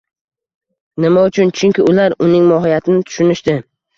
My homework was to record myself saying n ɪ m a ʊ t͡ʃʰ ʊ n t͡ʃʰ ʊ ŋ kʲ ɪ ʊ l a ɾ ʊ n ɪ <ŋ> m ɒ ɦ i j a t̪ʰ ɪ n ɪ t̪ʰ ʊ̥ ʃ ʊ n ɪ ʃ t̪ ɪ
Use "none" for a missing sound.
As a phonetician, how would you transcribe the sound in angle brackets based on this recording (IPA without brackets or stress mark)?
ŋ